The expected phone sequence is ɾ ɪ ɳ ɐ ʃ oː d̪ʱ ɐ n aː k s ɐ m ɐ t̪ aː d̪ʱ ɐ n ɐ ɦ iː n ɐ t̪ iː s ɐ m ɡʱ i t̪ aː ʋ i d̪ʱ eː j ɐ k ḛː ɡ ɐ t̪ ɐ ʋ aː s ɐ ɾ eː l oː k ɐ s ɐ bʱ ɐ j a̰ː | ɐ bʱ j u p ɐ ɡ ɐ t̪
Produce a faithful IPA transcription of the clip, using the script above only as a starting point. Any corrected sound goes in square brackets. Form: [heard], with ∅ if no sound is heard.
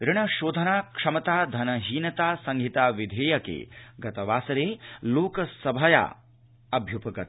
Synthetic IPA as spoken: ɾ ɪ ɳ ɐ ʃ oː d̪ʱ ɐ n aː k [ʂ] ɐ m ɐ t̪ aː d̪ʱ ɐ n ɐ ɦ iː n ɐ t̪ [aː] s ɐ [ŋ] ɡʱ i t̪ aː ʋ i d̪ʱ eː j ɐ k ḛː ɡ ɐ t̪ ɐ ʋ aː s ɐ ɾ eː l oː k ɐ s ɐ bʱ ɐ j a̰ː | ɐ bʱ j u p ɐ ɡ ɐ t̪